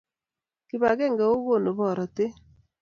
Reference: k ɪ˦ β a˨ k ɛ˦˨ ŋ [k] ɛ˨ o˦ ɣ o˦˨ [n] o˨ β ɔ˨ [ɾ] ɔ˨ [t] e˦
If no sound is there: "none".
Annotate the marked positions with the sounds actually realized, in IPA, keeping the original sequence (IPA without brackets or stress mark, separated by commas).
ɡ, n, ɾ, t